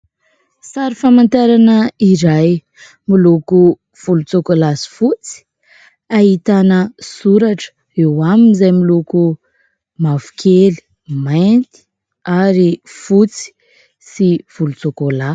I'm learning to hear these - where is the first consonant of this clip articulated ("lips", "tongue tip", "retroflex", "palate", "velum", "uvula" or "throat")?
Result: tongue tip